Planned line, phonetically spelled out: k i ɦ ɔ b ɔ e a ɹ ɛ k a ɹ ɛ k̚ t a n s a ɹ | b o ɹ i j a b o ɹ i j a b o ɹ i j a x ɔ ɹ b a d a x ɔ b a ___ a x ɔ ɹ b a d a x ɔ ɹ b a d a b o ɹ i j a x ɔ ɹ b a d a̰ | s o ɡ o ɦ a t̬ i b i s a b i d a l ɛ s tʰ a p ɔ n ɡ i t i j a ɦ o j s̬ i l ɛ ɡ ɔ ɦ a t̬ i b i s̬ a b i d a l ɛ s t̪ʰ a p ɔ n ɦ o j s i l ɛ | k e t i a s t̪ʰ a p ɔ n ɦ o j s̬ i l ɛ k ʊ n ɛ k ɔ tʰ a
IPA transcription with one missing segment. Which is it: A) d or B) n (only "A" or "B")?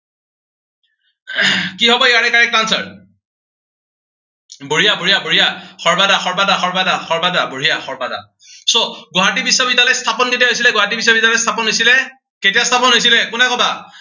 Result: A